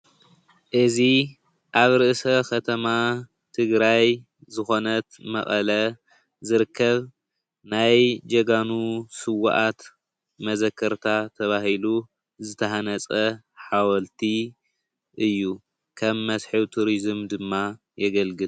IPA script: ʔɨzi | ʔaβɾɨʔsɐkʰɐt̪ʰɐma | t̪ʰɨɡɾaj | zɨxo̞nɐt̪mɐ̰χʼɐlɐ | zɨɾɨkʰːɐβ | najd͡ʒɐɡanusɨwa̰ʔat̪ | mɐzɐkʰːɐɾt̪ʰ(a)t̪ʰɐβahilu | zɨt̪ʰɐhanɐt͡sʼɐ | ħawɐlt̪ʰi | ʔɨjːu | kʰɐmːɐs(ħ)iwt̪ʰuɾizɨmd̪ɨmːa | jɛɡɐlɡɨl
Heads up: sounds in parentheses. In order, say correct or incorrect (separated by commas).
correct, correct